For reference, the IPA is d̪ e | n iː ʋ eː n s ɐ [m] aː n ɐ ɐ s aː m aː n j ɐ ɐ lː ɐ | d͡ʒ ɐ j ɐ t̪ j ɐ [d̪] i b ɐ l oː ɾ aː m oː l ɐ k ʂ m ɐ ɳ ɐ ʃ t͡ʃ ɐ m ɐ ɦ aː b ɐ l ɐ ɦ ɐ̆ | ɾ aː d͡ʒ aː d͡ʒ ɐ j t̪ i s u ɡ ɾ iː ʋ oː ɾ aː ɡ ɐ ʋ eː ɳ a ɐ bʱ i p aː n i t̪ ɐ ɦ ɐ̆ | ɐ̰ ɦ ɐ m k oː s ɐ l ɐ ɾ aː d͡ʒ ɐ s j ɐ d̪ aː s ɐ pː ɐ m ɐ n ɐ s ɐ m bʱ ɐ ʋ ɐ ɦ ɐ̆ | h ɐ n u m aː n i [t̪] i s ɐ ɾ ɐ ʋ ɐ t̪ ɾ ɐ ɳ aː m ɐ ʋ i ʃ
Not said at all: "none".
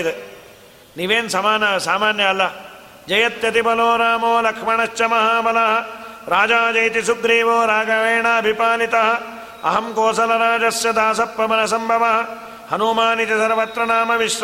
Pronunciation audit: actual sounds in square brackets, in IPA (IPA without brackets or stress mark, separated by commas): m, t̪, t̪